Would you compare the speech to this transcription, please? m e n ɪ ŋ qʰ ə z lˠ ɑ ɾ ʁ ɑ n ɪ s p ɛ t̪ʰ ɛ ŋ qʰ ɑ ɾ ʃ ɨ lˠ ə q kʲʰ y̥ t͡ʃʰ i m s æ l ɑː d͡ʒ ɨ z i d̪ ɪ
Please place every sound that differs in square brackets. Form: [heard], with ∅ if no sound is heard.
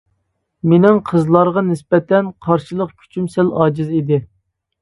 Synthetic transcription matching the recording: m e n ɪ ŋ qʰ ə z lˠ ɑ ɾ ʁ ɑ n ɪ s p ɛ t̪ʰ ɛ [n] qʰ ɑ ɾ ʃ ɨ lˠ ə q kʲʰ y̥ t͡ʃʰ [y] m s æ l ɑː d͡ʒ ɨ z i d̪ ɪ